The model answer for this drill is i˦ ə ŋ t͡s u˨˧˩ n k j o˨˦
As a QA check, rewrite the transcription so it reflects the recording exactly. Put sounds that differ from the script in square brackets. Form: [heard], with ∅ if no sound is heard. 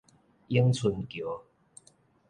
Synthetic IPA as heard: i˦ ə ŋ [t͡sʰ] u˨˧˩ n k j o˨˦